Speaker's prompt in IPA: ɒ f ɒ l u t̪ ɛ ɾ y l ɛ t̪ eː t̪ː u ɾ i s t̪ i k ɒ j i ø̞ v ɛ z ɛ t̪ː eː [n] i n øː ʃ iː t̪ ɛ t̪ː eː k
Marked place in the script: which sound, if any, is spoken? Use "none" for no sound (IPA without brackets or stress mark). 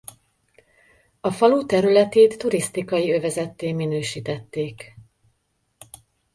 m